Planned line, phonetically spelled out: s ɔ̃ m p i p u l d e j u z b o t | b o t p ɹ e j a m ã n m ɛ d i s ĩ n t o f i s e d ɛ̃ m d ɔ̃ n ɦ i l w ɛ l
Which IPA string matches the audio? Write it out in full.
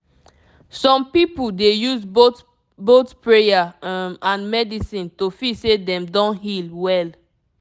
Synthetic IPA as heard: s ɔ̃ m p i p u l d e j u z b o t | b o t p ɹ e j a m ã n m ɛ d i s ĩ n t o f i s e d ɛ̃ m d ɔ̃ n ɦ i l w ɛ l